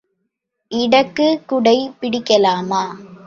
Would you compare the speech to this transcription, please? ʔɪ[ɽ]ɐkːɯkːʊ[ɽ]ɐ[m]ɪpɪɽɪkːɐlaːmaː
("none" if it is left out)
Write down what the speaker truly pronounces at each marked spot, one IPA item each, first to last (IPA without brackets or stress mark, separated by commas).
ɽ, ɽ, none